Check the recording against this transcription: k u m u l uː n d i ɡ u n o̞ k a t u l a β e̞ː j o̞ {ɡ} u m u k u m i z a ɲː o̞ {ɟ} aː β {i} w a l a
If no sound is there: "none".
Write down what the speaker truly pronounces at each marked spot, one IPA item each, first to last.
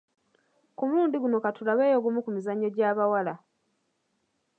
ɡ, ɟ, a

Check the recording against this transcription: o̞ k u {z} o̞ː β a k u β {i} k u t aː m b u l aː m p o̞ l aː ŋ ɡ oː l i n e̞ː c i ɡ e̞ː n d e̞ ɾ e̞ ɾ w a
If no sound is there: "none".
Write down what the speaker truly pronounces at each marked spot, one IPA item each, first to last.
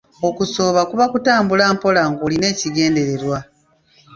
s, a

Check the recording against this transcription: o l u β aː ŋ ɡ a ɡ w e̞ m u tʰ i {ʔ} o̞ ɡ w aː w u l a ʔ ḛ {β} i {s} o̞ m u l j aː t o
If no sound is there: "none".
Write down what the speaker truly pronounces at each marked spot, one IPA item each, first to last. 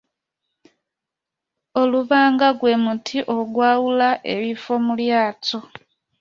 ʔ, β, f

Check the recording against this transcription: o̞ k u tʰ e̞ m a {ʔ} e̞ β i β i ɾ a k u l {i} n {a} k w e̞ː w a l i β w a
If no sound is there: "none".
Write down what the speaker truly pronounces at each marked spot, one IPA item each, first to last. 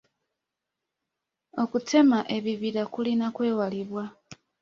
ʔ, i, a

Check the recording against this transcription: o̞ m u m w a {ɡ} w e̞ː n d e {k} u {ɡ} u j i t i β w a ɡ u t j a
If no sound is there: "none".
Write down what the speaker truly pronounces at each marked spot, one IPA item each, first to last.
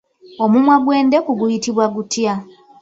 ɡ, k, ɡ

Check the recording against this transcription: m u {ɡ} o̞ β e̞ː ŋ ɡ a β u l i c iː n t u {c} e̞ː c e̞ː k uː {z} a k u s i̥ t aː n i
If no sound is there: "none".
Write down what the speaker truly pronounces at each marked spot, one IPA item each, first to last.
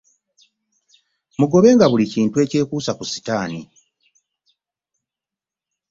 ɡ, none, s

